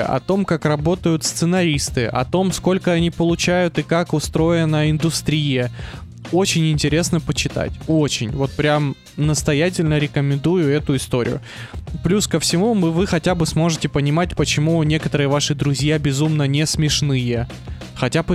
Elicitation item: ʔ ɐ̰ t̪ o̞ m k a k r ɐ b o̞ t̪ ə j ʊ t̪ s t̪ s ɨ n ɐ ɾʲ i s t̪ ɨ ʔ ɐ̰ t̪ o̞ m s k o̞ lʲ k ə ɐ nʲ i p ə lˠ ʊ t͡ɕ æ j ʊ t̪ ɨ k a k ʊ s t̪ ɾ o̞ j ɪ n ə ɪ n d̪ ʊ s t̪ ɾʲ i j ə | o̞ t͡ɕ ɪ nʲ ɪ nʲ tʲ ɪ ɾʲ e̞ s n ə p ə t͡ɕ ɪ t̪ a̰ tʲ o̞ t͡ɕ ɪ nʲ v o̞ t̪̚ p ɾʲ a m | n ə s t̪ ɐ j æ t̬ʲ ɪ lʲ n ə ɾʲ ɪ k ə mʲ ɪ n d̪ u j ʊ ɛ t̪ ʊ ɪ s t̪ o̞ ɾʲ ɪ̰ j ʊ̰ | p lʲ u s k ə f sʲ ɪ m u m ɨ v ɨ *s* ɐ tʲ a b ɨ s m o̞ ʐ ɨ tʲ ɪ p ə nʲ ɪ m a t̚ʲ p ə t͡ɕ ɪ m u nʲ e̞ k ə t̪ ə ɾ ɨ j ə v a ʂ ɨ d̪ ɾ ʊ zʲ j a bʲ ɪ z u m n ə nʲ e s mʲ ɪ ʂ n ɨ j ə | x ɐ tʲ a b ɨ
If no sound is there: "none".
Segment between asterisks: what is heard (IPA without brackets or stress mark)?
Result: x